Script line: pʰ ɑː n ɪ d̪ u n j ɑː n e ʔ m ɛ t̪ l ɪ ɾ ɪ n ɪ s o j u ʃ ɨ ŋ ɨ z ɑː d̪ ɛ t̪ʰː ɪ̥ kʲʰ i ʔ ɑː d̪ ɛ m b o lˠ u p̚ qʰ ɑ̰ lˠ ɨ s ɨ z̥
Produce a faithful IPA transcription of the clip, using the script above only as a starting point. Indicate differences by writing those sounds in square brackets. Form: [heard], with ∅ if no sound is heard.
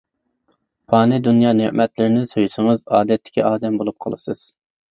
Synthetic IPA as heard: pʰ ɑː n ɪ d̪ u n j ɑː n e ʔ m ɛ t̪ l ɪ ɾ ɪ n ɪ s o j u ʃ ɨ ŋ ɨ z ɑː d̪ ɛ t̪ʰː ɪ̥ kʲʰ i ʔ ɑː d̪ ɛ m b o lˠ u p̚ qʰ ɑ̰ lˠ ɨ s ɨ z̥